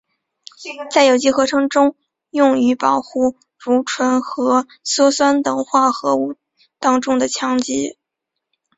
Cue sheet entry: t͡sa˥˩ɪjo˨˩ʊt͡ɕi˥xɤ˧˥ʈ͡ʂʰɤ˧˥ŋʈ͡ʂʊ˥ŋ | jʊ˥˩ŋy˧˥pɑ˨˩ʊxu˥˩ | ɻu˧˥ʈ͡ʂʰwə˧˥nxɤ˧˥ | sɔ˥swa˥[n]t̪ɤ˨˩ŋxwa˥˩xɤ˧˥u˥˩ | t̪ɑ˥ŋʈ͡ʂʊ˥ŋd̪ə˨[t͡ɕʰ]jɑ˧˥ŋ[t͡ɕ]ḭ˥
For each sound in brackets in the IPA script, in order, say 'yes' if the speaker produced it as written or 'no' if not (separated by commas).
yes, yes, yes